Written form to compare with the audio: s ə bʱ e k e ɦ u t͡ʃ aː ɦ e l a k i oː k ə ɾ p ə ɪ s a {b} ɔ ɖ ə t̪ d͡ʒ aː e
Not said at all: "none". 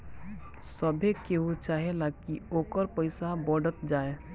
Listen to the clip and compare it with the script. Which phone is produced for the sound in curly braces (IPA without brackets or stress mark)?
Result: b